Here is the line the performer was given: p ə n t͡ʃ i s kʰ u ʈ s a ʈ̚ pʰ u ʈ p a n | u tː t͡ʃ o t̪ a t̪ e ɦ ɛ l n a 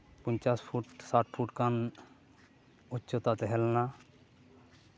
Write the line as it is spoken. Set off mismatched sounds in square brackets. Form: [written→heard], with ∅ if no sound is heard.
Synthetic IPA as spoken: p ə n t͡ʃ [i→a] s [kʰ→pʰ] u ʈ s a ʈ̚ pʰ u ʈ [p→k] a n | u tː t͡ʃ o t̪ a t̪ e ɦ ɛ l n a